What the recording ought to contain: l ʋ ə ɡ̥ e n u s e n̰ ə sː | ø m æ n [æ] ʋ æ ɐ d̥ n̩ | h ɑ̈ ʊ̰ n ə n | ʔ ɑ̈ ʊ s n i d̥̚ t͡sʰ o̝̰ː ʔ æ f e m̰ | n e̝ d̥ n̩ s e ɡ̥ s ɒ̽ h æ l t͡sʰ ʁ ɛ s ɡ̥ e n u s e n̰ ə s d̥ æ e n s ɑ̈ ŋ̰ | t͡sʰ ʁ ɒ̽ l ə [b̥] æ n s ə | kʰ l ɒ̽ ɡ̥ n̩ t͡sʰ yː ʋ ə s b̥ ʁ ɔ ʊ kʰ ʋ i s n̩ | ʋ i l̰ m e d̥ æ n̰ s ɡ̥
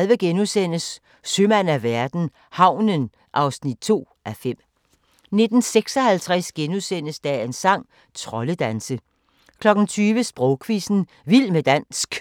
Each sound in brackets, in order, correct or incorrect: correct, incorrect

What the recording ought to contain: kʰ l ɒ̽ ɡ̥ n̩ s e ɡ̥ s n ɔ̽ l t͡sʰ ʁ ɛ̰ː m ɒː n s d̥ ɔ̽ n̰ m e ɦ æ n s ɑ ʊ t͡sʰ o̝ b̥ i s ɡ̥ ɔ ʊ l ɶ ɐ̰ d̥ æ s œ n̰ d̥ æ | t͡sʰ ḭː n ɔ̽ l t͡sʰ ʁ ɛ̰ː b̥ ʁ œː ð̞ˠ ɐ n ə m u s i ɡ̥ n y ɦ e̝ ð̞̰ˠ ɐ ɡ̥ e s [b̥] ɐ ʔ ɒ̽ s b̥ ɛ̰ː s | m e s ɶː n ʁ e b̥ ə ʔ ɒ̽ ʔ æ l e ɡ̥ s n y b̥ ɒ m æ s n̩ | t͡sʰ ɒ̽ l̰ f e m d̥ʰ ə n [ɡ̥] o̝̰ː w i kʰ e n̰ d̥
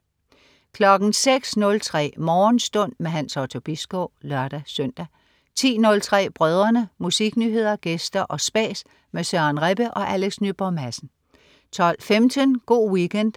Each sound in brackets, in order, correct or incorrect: incorrect, correct

